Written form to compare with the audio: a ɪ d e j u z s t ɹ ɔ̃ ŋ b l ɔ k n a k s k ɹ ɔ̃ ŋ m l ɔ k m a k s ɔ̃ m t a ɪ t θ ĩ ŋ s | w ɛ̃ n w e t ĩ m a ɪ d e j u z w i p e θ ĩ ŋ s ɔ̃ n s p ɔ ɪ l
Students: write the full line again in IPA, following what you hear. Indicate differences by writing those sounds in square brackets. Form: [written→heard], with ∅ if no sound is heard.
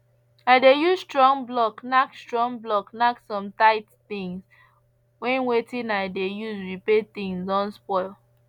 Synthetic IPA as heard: a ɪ d e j u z s t ɹ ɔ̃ ŋ b l ɔ k n a k s [k→t] ɹ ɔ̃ ŋ [m→b] l ɔ k [m→n] a k s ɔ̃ m t a ɪ t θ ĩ ŋ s | w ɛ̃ n w e t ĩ [m→n] a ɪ d e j u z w i p e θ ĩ ŋ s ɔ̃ n s p ɔ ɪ l